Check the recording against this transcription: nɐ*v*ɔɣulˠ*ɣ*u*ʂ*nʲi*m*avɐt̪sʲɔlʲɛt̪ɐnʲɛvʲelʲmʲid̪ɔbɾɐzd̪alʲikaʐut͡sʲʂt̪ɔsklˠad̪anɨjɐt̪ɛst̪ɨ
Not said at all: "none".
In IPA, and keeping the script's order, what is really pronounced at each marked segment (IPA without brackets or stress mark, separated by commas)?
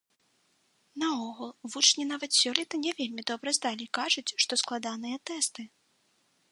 none, v, t͡ʂ, n